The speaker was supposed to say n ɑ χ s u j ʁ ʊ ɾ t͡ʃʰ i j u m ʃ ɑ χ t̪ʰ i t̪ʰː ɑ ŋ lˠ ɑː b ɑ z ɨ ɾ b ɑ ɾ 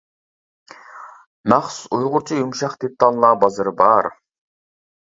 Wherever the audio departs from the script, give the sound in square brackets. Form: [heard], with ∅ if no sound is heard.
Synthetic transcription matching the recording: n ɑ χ s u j ʁ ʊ ɾ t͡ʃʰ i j u m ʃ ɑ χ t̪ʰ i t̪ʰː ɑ [n] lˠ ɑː b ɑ z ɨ ɾ b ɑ ɾ